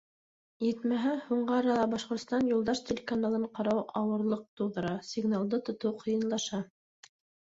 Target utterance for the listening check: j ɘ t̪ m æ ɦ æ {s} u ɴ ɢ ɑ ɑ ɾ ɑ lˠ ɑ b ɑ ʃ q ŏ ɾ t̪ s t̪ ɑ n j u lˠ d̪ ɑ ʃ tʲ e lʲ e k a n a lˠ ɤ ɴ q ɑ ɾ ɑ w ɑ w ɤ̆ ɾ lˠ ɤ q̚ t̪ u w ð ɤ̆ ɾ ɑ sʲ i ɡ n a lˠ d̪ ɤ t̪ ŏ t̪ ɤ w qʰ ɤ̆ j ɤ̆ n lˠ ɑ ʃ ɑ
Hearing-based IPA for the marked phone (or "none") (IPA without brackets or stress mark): h